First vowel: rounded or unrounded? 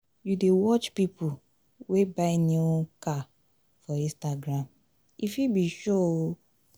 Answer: rounded